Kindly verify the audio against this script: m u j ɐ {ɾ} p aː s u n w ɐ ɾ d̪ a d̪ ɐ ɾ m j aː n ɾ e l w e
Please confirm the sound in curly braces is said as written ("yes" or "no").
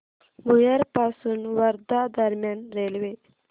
yes